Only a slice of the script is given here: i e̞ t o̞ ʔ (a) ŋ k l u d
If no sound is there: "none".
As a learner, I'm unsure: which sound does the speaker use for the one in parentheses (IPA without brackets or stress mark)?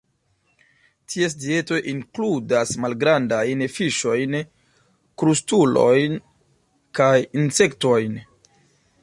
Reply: i